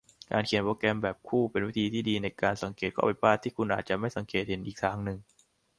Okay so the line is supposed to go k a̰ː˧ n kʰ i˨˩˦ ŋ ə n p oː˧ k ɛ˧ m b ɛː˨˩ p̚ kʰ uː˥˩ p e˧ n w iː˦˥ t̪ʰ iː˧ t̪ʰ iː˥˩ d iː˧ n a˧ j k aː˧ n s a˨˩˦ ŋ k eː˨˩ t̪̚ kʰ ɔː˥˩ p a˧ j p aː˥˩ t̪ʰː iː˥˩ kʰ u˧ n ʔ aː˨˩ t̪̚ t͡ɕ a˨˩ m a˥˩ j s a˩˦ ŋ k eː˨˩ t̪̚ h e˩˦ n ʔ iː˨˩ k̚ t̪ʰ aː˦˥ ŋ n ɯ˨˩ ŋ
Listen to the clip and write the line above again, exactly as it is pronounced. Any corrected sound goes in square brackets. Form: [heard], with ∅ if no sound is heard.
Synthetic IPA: k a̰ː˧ n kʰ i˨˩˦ [∅] ə n p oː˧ k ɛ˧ m b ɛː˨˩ p̚ kʰ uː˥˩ p e˧ n w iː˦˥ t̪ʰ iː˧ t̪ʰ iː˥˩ d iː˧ n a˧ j k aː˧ n s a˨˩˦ ŋ k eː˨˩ t̪̚ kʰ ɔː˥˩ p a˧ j p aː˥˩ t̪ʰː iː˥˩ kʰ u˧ n ʔ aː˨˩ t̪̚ t͡ɕ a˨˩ m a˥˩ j s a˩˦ ŋ k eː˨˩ t̪̚ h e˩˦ n ʔ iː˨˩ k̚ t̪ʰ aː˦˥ ŋ n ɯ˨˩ ŋ

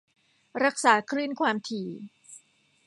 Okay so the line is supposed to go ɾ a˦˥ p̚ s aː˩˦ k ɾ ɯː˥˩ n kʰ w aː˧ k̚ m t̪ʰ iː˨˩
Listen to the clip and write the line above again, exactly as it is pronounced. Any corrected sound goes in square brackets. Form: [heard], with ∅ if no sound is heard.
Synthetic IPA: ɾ a˦˥ [k̚] s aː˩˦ [kʰ] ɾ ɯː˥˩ n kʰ w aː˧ [∅] m t̪ʰ iː˨˩

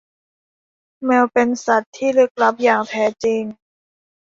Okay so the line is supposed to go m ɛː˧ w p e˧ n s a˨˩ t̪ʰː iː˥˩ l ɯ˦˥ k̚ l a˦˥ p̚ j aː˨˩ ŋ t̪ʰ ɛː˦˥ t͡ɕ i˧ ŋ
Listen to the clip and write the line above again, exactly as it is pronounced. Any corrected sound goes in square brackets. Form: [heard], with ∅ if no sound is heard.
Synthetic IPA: m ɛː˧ w p e˧ n s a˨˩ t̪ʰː iː˥˩ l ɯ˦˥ k̚ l a˦˥ p̚ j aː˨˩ ŋ t̪ʰ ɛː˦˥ t͡ɕ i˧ ŋ

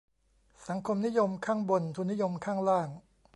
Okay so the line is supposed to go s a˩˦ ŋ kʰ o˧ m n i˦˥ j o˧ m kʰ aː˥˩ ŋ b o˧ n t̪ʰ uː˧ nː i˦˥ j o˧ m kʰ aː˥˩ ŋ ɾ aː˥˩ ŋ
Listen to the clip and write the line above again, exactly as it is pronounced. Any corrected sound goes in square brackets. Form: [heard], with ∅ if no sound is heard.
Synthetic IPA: s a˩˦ ŋ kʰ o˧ m n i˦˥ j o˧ m kʰ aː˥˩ ŋ b o˧ n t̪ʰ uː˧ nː i˦˥ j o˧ m kʰ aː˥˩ ŋ ɾ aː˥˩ ŋ

